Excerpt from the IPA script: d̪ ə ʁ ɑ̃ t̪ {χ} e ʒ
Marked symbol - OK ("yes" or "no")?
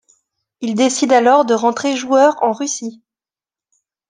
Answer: yes